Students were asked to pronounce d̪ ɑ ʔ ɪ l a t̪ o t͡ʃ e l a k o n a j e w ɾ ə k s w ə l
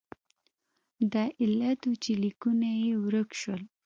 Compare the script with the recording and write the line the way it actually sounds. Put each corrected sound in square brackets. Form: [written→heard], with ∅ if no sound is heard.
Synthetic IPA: d̪ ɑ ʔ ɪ l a t̪ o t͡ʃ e l [a→i] k [o→u] n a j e w ɾ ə k [s→ʃ] w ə l

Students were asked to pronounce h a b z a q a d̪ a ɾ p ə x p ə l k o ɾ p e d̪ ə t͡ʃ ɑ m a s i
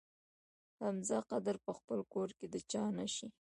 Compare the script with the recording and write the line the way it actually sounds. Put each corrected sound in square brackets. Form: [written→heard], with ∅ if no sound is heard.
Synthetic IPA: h a [b→m] z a q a d̪ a ɾ p ə x p ə l k o ɾ [p→k] e d̪ ə t͡ʃ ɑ [m→n] a [s→ʃ] i

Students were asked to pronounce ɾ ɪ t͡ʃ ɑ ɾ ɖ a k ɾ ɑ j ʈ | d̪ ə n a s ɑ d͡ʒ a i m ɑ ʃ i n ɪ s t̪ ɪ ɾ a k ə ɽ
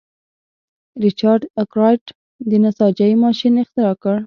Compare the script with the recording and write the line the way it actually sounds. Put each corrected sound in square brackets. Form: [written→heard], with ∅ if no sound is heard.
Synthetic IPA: ɾ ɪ t͡ʃ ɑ ɾ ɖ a k ɾ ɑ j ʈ | d̪ ə n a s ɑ d͡ʒ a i m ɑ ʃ i n ɪ [s→x] t̪ ɪ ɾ [a→ɑ] k ə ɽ

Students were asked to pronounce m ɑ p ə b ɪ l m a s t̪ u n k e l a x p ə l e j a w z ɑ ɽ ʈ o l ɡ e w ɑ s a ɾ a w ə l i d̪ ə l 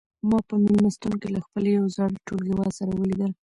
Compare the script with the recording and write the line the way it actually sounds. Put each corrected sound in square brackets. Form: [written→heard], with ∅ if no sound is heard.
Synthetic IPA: m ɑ p ə [b→m] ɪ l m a s t̪ u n k e l a x p ə l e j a w z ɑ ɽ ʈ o l ɡ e w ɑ s a ɾ a w ə l i d̪ ə l

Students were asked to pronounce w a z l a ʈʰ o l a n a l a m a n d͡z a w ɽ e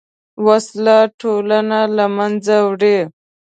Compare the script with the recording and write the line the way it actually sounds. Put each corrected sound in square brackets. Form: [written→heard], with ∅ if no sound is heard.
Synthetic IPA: w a [z→s] l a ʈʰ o l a n a l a m a n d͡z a w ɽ e

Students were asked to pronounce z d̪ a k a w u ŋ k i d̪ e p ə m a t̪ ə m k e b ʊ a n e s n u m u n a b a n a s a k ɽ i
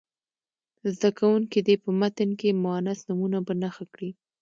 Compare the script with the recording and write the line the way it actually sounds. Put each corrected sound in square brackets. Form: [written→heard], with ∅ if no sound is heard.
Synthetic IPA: z d̪ a k a w u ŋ k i d̪ e p ə m a t̪ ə [m→n] k e [b→m] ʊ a n [e→a] s n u m u n a b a n a [s→x] a k ɽ i

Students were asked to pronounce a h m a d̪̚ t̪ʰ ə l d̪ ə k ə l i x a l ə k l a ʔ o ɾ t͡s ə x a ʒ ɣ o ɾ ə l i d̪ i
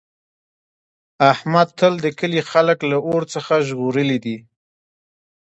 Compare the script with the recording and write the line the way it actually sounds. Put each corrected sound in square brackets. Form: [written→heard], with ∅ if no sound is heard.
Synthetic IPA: a h m a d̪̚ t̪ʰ ə l d̪ ə k ə l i x a l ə k l a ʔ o ɾ t͡s ə x a ʒ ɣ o ɾ ə l i d̪ i

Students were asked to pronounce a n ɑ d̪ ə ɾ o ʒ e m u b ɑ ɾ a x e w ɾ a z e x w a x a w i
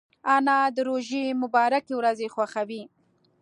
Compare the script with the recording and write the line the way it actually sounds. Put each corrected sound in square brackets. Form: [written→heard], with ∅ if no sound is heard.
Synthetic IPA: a n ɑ d̪ ə ɾ o ʒ e m [u→ʊ] b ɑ ɾ a [x→k] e w ɾ a z e x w a x a w i

